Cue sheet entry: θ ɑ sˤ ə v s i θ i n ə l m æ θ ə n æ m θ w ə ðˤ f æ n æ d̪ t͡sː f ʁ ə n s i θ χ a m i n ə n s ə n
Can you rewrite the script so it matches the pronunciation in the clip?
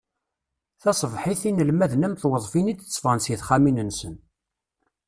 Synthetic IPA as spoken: θ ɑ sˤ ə v ħ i θ i n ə l m æ ð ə n æ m θ w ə ðˤ f i n i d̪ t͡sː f ʁ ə n s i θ χ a m i n ə n s ə n